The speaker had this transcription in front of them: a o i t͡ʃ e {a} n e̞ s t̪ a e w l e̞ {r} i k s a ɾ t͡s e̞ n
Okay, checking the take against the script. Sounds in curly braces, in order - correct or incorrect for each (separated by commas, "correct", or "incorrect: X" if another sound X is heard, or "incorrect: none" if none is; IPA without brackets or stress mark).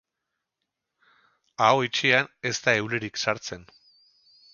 correct, incorrect: ɾ